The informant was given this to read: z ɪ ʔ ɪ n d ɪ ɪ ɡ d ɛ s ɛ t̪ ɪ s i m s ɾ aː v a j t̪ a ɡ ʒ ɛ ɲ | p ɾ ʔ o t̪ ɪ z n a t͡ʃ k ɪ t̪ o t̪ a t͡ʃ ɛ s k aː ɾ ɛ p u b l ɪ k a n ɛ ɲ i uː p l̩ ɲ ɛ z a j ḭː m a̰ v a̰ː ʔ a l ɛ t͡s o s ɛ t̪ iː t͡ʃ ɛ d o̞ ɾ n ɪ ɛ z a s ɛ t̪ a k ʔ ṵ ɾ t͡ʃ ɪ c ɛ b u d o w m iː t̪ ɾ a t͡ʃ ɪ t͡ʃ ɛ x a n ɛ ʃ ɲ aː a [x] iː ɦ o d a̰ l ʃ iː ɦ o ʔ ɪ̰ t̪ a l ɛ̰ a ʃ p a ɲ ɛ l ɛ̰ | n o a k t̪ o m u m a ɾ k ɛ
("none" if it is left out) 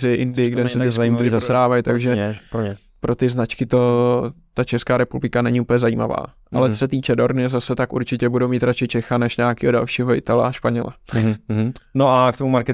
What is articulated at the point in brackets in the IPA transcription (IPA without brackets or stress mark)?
k